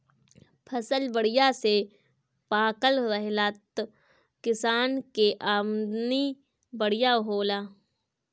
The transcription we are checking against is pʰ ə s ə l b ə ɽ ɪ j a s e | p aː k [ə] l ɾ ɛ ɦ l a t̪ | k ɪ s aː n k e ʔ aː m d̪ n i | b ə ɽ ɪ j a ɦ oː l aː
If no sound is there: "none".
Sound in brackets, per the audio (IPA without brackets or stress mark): ə